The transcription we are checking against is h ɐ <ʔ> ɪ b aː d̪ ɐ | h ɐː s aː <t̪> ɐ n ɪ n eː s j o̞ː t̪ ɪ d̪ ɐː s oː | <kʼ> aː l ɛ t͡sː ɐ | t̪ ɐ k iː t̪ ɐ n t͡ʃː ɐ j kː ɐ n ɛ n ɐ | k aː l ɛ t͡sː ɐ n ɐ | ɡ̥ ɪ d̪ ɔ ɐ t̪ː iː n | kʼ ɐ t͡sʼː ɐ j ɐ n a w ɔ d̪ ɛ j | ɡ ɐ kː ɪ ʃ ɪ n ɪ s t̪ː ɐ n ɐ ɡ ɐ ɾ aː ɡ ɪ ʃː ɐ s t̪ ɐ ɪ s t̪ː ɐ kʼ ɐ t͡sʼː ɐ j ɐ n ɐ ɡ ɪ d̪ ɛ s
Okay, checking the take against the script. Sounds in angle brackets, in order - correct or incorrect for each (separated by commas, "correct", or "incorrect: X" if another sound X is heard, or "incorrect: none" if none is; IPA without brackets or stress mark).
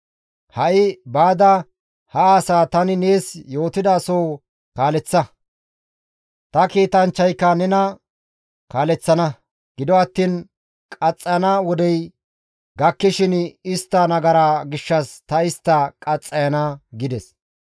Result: correct, correct, incorrect: k